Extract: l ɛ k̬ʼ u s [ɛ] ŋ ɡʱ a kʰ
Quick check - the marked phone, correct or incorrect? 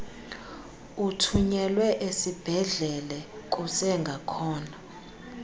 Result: correct